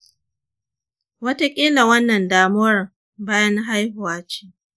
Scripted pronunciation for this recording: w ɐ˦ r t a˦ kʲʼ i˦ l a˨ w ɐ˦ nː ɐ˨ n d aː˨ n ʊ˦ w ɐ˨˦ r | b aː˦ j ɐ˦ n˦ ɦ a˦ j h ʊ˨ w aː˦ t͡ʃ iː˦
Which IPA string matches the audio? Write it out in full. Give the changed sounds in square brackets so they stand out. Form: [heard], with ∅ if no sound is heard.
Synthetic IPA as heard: w ɐ˦ [∅] t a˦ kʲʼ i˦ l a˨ w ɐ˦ nː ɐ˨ n d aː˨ [m] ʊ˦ w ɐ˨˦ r | b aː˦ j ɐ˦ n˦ ɦ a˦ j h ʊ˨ w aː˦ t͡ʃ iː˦